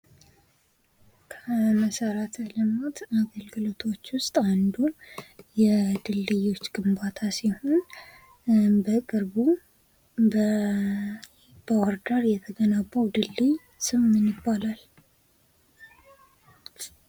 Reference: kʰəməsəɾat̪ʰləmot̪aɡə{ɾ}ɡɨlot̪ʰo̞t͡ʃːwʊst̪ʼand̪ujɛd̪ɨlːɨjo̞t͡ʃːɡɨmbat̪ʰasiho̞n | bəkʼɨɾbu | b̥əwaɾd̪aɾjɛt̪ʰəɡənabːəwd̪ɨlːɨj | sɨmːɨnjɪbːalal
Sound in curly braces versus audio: incorrect: l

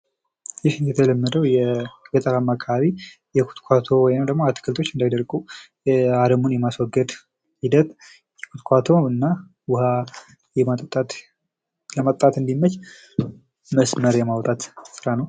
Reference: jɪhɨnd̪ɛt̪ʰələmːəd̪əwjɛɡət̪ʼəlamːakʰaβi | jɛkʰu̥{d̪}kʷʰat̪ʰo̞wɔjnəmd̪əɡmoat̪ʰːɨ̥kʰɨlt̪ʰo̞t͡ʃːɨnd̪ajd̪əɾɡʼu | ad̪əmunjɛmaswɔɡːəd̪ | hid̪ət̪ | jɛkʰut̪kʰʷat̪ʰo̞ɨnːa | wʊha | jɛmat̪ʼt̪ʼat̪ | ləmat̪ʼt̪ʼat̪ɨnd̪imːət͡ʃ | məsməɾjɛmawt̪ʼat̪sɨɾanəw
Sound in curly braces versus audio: incorrect: t̪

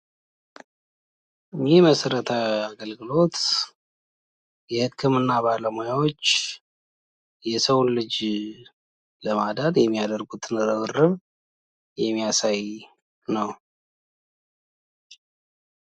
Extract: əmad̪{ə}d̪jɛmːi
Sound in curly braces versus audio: incorrect: a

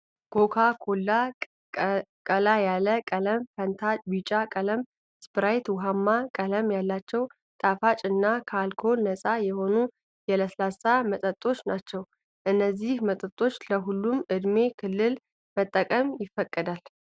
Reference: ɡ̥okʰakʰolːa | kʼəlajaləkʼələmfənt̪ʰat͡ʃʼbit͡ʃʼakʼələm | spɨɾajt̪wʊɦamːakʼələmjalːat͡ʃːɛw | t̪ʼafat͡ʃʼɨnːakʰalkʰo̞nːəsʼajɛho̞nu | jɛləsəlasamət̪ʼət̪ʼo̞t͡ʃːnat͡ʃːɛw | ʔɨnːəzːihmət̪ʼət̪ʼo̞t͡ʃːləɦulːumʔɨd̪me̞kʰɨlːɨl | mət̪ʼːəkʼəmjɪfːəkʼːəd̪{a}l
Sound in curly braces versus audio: correct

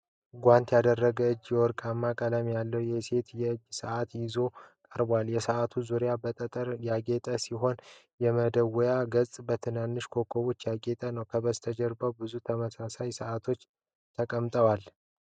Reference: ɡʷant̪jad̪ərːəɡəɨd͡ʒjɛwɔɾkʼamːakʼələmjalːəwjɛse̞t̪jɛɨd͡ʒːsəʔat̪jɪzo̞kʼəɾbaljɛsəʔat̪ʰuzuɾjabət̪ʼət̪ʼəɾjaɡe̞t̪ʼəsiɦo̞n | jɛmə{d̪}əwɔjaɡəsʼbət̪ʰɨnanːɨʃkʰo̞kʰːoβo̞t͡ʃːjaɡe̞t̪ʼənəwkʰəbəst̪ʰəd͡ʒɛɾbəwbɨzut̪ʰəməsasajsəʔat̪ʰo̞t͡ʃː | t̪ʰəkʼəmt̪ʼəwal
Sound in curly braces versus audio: correct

